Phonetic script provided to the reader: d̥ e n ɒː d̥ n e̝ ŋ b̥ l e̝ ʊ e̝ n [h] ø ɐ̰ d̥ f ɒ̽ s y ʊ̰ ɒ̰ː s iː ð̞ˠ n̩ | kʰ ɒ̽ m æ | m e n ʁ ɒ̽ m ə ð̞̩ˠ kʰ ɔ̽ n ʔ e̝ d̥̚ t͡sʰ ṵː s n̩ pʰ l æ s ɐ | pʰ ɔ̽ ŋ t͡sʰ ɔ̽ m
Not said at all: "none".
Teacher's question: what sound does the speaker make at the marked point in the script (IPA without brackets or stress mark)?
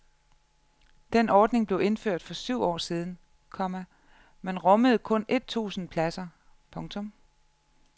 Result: f